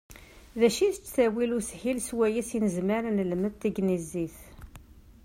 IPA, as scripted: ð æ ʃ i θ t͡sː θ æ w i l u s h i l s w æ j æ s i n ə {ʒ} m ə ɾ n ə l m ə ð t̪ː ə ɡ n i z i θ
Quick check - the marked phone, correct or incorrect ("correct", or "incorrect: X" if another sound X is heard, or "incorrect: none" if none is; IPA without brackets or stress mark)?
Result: incorrect: z